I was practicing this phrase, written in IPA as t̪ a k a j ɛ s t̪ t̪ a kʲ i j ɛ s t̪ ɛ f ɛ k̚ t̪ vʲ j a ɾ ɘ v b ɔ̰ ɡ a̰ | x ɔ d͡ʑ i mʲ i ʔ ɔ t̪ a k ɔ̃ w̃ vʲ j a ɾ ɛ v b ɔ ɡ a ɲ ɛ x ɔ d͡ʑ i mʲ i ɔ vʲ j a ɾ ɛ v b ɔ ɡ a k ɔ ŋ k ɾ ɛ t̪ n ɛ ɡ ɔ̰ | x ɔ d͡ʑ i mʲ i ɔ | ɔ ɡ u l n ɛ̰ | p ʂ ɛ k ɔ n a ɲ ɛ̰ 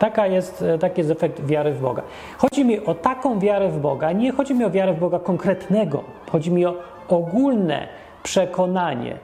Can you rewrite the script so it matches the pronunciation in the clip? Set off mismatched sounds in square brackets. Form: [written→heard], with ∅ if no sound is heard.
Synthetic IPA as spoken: t̪ a k a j ɛ s t̪ t̪ a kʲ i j ɛ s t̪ ɛ f ɛ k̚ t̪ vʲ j a ɾ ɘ v b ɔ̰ ɡ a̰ | x ɔ d͡ʑ i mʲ i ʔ ɔ t̪ a k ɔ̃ w̃ vʲ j a ɾ ɛ v b ɔ ɡ a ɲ ɛ x ɔ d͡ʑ i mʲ i ɔ vʲ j a ɾ ɛ v b ɔ ɡ a k ɔ ŋ k ɾ ɛ t̪ n ɛ ɡ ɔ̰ | x ɔ d͡ʑ i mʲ i ɔ | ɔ ɡ u l n ɛ̰ | p ʂ ɛ k ɔ n a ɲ ɛ̰